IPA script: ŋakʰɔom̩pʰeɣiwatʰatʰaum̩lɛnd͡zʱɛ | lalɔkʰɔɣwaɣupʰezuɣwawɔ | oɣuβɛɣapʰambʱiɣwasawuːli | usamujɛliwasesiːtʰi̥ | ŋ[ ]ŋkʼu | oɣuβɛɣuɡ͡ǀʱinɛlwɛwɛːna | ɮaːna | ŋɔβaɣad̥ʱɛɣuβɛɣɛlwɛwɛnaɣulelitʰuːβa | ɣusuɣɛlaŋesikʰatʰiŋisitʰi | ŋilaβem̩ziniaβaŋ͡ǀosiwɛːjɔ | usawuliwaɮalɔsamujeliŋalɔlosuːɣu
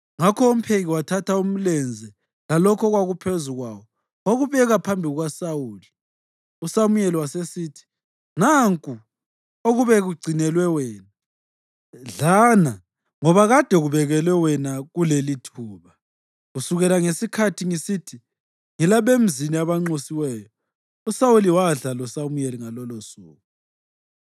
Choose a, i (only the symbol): a